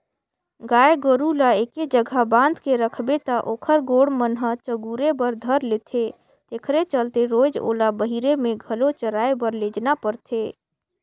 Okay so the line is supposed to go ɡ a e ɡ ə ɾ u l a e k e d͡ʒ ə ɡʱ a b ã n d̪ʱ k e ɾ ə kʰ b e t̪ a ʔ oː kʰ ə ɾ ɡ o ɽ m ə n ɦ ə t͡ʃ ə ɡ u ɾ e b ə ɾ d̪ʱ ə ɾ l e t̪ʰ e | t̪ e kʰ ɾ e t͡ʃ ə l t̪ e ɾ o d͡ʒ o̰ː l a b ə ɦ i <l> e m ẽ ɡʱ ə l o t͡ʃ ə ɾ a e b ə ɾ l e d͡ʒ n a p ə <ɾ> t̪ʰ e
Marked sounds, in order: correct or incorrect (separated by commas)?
incorrect, correct